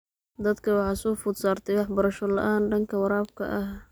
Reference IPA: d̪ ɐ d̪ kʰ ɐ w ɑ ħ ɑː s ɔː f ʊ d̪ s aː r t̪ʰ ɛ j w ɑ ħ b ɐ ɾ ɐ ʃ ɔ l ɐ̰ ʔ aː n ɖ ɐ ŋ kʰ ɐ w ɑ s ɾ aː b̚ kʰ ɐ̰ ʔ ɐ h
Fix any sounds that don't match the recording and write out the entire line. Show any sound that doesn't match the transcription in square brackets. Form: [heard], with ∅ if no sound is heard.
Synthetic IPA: d̪ ɐ d̪ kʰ ɐ w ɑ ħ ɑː s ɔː f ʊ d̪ s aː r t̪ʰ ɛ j w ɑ ħ b ɐ ɾ ɐ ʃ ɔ l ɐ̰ ʔ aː n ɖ ɐ ŋ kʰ ɐ w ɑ [∅] ɾ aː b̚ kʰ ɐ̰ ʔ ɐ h